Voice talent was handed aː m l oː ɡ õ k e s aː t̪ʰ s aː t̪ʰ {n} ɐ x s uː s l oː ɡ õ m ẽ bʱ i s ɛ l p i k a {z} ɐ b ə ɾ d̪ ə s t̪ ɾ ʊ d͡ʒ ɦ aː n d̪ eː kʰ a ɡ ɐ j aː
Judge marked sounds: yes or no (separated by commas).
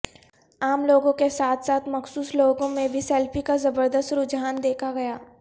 no, yes